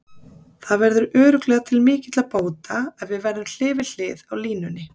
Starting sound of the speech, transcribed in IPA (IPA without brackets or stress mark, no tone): θ